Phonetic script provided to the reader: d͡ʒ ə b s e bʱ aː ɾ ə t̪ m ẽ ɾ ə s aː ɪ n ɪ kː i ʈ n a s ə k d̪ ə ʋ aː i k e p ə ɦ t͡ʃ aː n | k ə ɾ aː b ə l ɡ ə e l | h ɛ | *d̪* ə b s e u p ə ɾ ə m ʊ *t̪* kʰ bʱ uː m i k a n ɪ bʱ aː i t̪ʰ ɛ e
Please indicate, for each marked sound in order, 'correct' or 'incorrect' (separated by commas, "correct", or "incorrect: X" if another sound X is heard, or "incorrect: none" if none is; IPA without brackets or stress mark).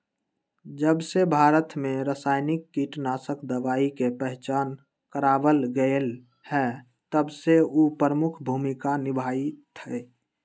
incorrect: t̪, incorrect: none